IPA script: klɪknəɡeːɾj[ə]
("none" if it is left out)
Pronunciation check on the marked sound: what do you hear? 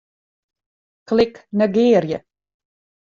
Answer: ə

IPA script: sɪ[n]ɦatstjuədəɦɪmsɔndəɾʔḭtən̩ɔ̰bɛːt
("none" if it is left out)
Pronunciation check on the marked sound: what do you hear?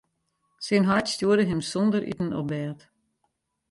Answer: n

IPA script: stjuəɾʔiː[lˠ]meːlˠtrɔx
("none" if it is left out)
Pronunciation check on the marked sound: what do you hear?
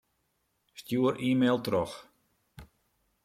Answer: none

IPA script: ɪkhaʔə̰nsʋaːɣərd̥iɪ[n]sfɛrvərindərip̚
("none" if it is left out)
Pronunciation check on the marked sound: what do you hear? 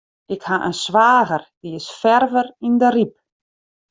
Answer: none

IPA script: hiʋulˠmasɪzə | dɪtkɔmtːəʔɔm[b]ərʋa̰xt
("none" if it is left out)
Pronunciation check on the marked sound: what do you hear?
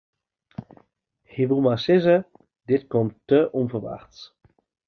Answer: v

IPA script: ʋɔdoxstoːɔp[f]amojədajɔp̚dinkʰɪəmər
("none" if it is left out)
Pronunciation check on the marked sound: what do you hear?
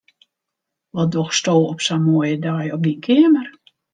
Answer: s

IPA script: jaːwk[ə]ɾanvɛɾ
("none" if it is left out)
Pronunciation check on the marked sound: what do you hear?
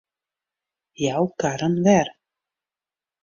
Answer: a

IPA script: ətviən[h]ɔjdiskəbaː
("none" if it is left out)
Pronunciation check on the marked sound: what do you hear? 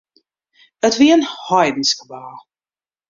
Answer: h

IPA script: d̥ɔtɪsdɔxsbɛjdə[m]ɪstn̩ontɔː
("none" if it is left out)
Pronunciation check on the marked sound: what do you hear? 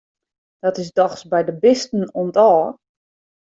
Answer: b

